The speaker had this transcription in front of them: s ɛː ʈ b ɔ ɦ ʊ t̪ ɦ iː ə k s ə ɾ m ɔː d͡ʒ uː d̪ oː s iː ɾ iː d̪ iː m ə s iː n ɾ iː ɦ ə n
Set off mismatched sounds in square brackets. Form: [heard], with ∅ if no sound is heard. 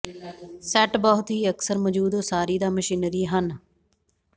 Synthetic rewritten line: s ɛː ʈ b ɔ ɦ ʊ t̪ ɦ iː ə k s ə ɾ m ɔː d͡ʒ uː d̪ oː s [aː] ɾ iː d̪ [aː] m ə [ʃ] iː n ɾ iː ɦ ə n